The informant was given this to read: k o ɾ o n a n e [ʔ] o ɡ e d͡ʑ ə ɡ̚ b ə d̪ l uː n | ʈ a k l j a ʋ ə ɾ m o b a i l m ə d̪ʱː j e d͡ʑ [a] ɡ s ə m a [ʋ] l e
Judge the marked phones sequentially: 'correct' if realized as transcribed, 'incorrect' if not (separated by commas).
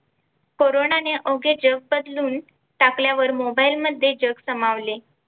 correct, incorrect, correct